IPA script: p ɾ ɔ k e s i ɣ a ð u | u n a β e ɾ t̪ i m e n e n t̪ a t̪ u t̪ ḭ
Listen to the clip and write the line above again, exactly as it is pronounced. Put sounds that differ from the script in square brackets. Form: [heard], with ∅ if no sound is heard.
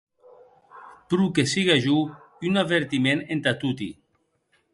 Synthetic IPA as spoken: p ɾ [u] k e s i ɣ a [ʒ] u | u n a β e ɾ t̪ i m e n e n t̪ a t̪ u t̪ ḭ